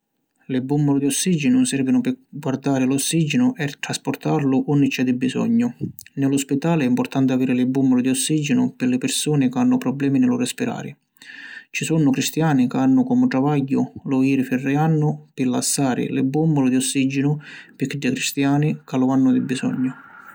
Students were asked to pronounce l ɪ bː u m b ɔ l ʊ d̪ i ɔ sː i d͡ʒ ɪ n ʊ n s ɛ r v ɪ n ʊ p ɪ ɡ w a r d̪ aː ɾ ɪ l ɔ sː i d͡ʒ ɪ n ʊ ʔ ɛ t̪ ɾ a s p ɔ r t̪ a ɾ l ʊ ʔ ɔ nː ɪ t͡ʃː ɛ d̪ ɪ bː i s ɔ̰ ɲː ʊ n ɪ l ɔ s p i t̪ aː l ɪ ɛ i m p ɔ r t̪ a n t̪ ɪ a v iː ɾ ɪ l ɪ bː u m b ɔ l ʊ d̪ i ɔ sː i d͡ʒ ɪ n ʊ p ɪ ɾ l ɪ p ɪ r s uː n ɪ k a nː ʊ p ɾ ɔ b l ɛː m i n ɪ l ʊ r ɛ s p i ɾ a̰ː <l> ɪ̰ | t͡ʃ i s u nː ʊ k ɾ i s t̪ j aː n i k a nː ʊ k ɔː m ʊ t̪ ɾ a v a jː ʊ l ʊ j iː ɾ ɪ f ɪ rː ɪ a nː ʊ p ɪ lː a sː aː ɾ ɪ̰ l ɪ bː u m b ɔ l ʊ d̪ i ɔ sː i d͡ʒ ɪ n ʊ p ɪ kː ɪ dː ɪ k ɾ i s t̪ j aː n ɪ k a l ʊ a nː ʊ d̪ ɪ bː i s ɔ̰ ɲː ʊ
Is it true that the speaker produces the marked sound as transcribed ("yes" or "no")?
no